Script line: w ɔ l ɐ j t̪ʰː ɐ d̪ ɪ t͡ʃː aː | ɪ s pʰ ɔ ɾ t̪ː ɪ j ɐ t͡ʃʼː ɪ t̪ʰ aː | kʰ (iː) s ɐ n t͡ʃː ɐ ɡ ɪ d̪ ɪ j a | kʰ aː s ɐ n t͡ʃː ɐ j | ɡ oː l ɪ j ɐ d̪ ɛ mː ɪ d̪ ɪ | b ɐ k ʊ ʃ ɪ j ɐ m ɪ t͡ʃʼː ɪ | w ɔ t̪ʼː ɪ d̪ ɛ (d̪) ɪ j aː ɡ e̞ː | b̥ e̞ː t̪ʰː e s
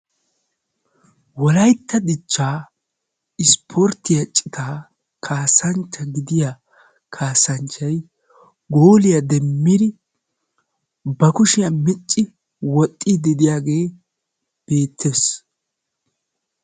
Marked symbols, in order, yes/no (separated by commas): no, yes